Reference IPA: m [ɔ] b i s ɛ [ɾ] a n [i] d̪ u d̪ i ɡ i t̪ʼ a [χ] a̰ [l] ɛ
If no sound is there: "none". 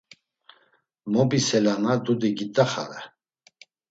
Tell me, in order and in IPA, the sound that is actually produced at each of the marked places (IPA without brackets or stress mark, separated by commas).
ɔ, l, a, χ, ɾ